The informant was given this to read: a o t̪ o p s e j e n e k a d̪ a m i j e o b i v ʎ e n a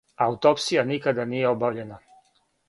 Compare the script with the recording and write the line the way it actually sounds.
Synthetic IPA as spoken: a u t̪ o p s i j a n i k a d̪ a n i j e o b a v ʎ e n a